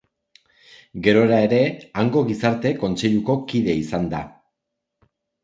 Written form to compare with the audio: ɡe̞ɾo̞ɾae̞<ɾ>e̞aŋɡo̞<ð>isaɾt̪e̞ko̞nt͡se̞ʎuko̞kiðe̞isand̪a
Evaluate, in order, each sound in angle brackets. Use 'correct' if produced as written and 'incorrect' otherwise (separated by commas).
correct, incorrect